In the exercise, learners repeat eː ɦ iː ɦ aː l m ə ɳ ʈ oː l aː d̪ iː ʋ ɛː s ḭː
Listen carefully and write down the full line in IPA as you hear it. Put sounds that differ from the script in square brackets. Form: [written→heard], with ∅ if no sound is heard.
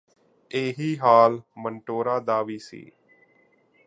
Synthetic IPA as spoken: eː ɦ iː ɦ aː l m ə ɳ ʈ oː [l→ɾ] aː d̪ [iː→aː] ʋ [ɛː→iː] s ḭː